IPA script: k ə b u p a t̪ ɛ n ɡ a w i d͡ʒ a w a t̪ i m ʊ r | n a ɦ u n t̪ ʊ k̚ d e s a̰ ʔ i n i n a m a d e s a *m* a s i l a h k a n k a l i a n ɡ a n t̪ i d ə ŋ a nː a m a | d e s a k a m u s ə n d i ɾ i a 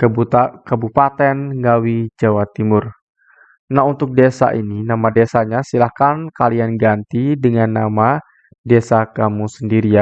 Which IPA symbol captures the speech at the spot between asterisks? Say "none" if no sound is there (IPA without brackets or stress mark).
ɲ